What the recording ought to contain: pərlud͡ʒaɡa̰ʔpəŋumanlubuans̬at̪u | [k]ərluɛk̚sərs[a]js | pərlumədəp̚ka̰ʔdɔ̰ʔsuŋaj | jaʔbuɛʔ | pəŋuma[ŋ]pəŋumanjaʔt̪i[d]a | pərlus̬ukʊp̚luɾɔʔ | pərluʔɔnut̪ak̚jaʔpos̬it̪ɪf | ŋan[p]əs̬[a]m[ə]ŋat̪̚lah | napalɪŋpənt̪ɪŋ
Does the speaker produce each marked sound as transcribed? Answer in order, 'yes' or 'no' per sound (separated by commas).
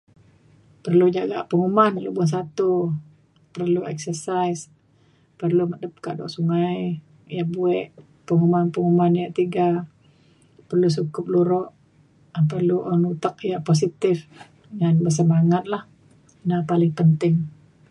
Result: no, yes, no, no, no, no, no